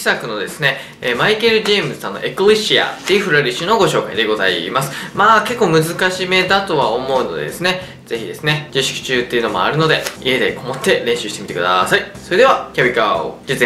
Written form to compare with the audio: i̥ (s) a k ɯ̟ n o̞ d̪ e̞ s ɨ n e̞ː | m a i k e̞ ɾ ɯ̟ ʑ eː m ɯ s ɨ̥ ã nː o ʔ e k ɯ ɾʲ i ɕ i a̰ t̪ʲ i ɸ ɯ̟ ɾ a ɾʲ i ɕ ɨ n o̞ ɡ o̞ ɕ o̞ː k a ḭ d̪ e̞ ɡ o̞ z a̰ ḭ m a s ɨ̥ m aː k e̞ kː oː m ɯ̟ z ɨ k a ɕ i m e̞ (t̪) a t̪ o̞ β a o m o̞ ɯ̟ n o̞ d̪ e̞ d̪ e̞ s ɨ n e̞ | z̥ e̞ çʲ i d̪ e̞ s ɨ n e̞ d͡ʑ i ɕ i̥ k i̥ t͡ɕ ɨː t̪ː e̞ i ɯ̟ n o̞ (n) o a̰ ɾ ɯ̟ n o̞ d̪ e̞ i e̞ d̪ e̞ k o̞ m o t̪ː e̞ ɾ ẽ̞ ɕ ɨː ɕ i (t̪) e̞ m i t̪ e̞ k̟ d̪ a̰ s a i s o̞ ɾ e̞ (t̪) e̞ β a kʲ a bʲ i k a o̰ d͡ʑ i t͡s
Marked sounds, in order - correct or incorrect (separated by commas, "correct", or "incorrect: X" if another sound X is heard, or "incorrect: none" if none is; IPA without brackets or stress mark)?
correct, incorrect: d̪, incorrect: m, correct, incorrect: d̪